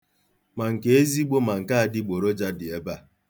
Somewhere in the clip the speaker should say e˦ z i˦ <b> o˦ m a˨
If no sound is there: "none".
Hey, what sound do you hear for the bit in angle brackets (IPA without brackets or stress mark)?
ɡ͡b